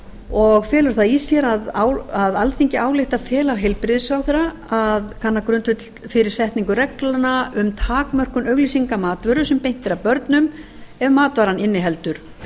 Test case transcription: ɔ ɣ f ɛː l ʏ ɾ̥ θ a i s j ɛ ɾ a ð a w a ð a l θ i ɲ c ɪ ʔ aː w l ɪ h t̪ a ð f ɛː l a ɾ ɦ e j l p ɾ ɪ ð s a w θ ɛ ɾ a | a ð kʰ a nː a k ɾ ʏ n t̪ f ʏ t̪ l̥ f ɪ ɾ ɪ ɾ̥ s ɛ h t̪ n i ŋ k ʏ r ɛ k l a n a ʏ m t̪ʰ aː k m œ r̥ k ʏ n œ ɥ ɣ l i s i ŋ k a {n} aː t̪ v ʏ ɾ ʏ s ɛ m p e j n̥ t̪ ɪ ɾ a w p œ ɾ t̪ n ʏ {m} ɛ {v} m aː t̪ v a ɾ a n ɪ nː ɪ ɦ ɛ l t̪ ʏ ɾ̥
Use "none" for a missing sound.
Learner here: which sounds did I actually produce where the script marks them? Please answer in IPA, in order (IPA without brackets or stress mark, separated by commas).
m, m, v